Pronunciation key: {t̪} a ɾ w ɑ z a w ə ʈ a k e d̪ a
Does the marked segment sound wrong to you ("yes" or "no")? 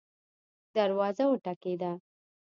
yes